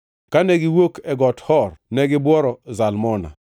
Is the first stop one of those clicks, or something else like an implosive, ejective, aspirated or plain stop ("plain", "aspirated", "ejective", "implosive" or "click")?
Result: plain